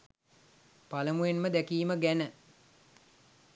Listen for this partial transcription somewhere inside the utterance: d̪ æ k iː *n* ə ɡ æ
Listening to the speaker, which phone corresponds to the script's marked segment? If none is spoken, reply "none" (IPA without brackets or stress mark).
m